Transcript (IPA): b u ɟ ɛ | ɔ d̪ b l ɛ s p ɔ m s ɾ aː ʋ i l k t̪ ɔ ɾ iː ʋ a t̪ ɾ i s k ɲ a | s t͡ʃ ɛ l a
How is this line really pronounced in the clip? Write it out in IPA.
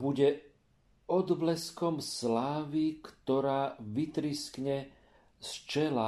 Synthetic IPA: b u ɟ ɛ | ɔ d̪ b l ɛ s k ɔ m s l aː ʋ i k t̪ ɔ ɾ aː ʋ i t̪ ɾ i s k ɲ ɛ | s t͡ʃ ɛ l a